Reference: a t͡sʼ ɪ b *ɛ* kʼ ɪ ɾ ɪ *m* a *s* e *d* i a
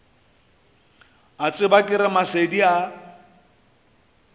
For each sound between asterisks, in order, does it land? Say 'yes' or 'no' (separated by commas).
no, yes, yes, yes